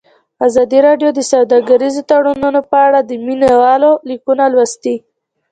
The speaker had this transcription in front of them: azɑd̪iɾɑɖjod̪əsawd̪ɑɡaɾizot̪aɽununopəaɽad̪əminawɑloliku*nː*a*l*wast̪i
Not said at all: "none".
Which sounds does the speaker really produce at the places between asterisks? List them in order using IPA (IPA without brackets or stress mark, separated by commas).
n, l